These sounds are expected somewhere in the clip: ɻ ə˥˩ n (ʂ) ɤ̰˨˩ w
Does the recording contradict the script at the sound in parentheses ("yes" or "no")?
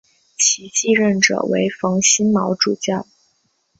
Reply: yes